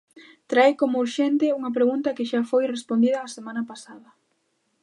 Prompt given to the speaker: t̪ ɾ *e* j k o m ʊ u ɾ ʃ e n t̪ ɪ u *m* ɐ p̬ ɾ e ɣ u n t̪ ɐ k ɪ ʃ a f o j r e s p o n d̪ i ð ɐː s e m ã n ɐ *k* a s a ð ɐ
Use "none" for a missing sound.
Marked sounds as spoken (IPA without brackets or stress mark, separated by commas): a, ŋ, p